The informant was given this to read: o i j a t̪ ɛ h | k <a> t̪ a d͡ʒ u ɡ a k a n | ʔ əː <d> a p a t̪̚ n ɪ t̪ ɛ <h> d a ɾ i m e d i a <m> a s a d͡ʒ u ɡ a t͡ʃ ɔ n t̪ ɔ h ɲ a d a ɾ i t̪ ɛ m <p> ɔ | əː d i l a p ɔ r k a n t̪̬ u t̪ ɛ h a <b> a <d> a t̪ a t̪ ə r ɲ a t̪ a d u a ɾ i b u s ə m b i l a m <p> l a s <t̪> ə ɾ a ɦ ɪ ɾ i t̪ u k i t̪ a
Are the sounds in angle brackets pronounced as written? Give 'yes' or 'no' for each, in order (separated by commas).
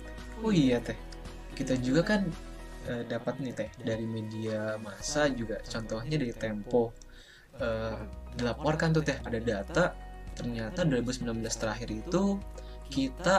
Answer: no, yes, yes, yes, yes, no, yes, no, yes